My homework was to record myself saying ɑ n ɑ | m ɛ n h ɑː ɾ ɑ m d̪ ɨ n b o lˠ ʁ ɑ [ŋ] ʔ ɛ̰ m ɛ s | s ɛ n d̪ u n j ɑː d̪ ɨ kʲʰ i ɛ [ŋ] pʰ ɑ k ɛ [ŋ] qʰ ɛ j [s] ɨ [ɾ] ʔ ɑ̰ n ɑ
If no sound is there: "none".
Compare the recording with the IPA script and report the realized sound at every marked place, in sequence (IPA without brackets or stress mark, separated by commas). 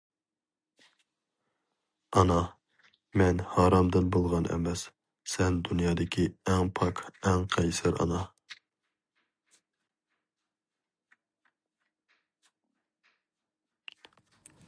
n, ŋ, ŋ, s, ɾ